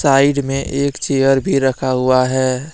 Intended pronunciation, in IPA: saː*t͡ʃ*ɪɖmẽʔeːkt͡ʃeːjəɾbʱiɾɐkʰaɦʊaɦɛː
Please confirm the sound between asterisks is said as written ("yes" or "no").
no